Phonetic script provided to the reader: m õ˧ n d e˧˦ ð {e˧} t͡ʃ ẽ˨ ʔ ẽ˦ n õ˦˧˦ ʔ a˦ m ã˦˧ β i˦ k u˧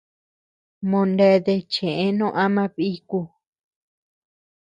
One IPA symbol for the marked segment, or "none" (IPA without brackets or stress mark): e˧